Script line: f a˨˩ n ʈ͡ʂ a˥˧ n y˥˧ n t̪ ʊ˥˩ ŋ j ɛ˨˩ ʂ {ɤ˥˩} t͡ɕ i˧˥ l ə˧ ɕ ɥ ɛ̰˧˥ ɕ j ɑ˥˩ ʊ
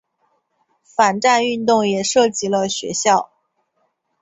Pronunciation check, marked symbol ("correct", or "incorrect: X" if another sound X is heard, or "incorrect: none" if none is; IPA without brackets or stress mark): correct